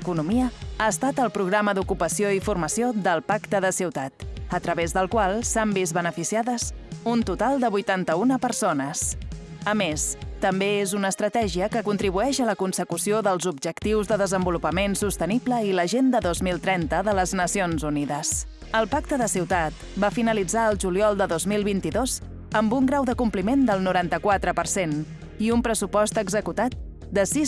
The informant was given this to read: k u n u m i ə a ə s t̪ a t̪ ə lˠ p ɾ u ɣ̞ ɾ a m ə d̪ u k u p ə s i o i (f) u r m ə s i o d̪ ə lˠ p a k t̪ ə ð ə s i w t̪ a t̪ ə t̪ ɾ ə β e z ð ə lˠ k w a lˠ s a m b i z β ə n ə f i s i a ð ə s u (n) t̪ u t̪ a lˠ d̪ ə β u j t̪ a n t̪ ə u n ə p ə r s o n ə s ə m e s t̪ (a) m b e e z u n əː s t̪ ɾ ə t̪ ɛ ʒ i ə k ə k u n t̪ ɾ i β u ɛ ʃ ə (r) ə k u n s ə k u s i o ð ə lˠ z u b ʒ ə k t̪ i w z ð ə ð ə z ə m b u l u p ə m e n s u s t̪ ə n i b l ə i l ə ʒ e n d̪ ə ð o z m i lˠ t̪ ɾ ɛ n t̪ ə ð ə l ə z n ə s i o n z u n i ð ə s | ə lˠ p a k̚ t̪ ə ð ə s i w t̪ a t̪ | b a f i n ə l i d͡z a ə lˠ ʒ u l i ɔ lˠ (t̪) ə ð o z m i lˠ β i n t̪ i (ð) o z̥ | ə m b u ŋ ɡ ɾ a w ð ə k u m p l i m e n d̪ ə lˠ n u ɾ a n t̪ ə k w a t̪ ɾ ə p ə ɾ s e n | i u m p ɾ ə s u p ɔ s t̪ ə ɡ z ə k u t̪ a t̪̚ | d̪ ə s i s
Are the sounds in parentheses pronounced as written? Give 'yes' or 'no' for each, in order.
yes, yes, no, no, no, yes

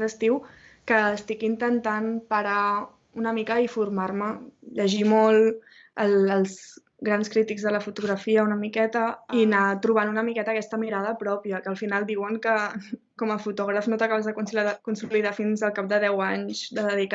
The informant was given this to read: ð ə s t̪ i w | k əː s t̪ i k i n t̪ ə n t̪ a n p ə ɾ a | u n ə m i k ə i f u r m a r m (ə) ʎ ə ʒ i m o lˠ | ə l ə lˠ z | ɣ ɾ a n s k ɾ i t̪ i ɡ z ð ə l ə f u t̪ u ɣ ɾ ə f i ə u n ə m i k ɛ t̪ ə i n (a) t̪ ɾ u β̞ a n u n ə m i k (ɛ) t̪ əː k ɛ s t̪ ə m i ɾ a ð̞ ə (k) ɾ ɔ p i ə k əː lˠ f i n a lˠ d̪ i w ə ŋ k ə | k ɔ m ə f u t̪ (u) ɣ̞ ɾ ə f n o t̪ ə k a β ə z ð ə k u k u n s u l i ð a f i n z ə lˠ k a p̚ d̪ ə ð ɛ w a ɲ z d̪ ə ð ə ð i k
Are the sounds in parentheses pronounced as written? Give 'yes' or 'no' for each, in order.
yes, yes, yes, no, no

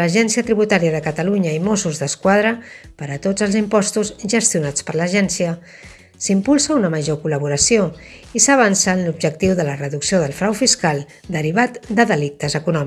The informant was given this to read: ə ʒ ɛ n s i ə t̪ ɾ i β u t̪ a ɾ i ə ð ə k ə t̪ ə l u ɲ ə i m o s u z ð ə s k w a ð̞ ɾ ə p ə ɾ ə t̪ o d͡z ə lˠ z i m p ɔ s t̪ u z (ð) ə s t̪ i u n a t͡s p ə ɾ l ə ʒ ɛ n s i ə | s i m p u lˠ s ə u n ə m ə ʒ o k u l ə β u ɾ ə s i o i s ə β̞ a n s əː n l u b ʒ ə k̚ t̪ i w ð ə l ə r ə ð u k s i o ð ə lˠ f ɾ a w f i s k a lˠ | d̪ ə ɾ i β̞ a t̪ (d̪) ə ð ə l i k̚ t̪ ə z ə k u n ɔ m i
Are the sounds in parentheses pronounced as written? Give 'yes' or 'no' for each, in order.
no, yes

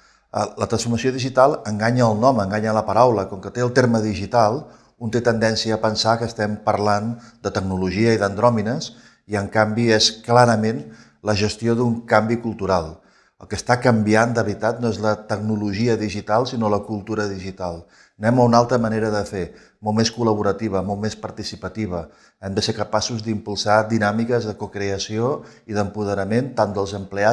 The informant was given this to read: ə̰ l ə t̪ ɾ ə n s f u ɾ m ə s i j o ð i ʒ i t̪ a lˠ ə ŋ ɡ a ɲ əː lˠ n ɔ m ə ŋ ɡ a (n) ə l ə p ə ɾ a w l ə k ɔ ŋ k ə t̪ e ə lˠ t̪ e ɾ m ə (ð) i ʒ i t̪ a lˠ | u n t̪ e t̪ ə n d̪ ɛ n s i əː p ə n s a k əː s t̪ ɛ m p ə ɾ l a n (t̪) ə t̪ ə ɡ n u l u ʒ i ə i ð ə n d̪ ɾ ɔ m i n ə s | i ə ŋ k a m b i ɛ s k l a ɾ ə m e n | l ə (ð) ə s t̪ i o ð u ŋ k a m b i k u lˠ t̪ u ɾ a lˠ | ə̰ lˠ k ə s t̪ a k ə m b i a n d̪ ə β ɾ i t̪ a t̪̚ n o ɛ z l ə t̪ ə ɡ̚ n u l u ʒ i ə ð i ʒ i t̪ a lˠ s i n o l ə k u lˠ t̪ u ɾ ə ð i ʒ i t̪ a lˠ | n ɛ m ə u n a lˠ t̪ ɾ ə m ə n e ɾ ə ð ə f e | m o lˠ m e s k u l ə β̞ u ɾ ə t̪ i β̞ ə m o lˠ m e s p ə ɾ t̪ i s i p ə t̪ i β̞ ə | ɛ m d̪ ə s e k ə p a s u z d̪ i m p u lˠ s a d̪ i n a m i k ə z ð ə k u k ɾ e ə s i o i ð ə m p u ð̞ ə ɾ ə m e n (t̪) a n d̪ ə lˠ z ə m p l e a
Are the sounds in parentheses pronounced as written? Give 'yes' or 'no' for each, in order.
no, yes, no, no, yes

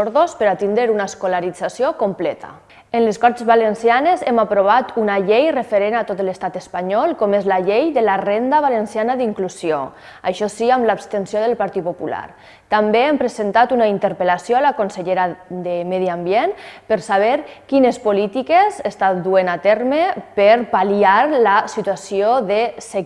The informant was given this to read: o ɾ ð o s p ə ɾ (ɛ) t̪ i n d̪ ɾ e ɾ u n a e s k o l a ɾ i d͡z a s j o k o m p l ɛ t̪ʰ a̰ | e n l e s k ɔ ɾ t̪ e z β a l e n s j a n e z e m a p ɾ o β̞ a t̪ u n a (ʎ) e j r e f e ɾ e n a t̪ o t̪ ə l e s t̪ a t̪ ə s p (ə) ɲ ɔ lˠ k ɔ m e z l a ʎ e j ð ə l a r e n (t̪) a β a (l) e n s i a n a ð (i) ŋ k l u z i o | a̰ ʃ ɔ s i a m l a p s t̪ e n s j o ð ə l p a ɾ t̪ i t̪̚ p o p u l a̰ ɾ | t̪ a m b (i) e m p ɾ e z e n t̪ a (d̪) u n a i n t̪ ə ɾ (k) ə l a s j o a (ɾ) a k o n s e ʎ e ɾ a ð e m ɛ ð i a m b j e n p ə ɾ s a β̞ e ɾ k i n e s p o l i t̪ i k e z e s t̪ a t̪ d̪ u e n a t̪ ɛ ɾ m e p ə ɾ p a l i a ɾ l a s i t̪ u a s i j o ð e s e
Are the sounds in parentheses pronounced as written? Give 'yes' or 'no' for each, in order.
no, yes, no, no, yes, yes, no, no, no, no

